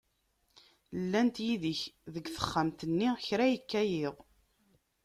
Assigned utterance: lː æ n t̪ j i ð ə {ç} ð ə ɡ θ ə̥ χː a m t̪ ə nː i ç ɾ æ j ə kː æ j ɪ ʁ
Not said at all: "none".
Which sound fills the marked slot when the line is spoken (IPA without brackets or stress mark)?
ç